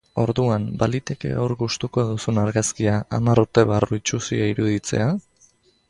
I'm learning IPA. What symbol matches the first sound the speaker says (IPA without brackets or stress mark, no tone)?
o̞